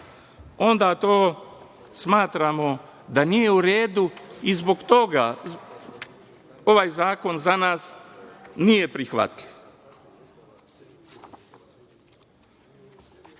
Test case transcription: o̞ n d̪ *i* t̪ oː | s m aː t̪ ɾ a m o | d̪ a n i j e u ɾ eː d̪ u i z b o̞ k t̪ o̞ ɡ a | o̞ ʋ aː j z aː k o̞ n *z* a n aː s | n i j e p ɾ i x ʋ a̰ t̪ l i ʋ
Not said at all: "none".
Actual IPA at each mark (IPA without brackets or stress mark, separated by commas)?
a, z